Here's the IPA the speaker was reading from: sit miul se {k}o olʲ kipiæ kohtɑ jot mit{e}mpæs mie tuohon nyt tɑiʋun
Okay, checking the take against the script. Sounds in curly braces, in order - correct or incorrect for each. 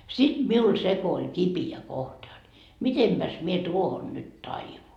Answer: correct, correct

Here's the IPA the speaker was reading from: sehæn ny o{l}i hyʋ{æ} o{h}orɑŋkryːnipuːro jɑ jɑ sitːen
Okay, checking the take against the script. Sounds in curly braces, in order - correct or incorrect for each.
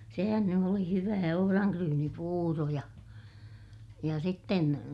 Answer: correct, incorrect: æː, correct

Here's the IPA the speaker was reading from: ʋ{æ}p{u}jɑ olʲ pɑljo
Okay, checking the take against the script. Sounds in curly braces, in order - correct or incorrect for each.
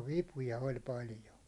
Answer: incorrect: i, correct

